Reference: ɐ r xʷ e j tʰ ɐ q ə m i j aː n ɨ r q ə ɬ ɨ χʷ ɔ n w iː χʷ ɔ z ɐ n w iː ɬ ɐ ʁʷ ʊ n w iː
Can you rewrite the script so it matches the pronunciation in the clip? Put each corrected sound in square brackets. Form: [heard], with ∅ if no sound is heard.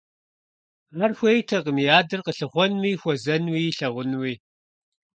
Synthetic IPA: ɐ r xʷ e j tʰ ɐ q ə m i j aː [d] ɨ r q ə ɬ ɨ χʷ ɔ n w iː [xʷ] ɔ z ɐ n w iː ɬ ɐ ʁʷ ʊ n w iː

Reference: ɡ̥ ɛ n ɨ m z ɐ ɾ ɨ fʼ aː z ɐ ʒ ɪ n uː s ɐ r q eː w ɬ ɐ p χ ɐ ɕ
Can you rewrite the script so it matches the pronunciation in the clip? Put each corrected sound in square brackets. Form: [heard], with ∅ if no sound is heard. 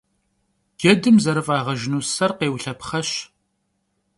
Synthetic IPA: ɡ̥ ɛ [d] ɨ m z ɐ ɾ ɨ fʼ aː [ʁ] ɐ ʒ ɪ n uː s ɐ r q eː w ɬ ɐ p χ ɐ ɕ

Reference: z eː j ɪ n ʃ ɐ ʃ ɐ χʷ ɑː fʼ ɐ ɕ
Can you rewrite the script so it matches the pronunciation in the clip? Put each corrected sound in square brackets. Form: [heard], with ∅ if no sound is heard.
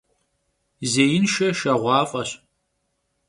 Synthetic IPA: z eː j ɪ n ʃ ɐ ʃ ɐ [ʁʷ] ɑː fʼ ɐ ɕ

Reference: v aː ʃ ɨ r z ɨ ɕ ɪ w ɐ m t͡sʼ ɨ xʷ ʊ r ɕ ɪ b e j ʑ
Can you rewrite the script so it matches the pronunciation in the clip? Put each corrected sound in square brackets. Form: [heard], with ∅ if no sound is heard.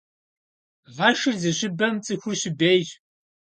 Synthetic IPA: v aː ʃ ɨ r z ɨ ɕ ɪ [b] ɐ m t͡sʼ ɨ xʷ ʊ r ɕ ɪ b e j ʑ

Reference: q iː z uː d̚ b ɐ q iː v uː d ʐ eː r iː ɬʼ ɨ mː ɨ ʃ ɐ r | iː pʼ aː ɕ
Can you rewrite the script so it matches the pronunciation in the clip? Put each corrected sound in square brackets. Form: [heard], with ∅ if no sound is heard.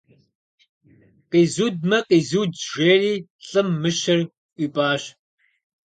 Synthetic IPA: q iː z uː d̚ [m] ɐ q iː [z] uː d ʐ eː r iː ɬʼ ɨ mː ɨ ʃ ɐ r | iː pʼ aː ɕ

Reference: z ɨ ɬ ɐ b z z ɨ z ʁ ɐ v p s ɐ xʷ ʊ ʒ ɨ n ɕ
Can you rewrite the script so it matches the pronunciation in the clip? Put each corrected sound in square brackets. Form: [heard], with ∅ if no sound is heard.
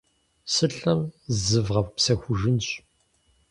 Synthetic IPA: [s] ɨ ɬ ɐ [m] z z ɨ [v] ʁ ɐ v p s ɐ xʷ ʊ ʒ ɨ n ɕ

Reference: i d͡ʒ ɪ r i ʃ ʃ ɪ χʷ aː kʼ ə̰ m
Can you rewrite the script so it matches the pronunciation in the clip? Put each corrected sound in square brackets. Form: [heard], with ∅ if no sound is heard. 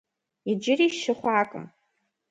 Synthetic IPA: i d͡ʒ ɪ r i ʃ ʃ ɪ χʷ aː kʼ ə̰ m

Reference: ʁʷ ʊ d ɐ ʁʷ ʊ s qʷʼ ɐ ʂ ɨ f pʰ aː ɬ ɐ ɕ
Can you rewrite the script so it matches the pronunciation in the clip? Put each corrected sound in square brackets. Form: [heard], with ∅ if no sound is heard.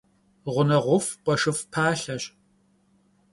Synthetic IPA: ʁʷ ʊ [n] ɐ ʁʷ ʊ [f] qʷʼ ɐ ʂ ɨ f pʰ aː ɬ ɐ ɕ

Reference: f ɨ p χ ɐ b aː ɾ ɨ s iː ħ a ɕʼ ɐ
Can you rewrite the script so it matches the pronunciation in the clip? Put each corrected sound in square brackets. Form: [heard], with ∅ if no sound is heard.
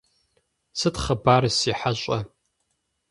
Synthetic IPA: [s] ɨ [t] χ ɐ b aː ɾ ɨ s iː ħ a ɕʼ ɐ

